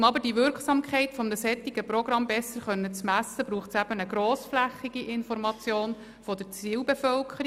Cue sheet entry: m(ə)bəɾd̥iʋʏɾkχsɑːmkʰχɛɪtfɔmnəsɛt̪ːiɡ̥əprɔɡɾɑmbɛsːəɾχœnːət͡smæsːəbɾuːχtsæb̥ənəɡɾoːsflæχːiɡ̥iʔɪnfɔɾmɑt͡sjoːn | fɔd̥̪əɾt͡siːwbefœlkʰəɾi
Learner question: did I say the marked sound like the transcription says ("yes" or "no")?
no